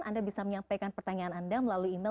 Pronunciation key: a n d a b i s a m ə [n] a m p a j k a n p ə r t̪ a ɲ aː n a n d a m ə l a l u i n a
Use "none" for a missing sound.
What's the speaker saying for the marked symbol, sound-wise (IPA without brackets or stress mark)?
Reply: ɲ